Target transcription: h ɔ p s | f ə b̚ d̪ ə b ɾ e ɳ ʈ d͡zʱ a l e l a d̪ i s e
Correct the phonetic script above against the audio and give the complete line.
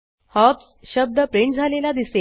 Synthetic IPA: h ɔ p s | ɕ ə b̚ d̪ ə p ɾ e ɳ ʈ d͡zʱ a l e l a d̪ i s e